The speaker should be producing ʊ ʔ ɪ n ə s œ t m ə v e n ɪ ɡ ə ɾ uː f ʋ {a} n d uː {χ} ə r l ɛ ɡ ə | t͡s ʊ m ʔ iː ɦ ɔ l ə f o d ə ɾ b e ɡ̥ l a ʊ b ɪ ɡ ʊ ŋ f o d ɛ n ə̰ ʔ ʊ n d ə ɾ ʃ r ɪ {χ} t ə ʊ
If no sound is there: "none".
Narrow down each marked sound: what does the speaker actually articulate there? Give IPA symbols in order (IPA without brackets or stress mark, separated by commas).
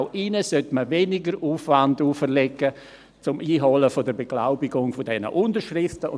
a, f, f